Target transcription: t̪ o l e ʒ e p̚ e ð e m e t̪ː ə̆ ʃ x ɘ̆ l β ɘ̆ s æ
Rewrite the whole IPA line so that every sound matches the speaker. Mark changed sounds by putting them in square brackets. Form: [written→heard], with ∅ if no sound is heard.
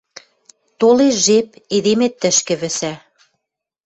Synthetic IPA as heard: t̪ o l e ʒ e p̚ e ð e m e t̪ː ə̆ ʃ [x→k] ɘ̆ [l→∅] β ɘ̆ s æ